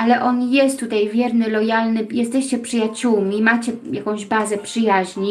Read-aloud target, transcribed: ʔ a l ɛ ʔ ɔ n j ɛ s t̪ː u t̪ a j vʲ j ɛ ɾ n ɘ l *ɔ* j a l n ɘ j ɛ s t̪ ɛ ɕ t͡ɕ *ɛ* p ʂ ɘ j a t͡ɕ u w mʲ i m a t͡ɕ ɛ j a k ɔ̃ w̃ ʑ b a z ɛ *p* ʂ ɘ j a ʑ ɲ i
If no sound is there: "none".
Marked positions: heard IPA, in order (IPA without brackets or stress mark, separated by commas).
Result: ɔ, ɛ, p